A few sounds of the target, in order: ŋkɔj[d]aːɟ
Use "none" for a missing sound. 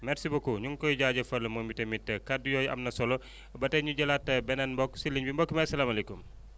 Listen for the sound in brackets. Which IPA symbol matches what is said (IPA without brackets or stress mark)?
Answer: ɟ